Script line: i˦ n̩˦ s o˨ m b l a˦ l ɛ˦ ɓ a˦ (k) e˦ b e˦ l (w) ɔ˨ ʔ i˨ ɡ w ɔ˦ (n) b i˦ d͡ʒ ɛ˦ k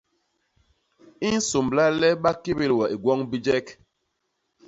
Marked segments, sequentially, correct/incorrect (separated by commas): correct, correct, incorrect